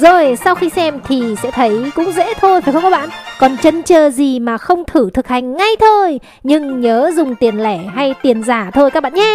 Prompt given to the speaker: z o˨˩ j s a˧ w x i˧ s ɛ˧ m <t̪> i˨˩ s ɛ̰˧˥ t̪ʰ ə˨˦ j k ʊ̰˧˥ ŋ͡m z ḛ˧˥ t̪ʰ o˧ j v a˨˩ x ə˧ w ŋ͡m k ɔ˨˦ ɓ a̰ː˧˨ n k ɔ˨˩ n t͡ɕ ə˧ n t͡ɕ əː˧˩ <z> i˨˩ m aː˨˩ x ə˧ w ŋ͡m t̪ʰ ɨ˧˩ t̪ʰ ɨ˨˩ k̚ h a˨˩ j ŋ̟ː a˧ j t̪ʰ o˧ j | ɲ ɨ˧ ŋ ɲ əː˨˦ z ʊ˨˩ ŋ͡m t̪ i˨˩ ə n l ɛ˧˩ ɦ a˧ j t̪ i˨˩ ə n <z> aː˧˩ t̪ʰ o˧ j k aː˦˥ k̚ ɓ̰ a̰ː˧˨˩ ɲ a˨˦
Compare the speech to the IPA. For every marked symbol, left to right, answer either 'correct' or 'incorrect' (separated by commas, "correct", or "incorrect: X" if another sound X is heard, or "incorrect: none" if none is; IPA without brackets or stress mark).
incorrect: t̪ʰ, correct, correct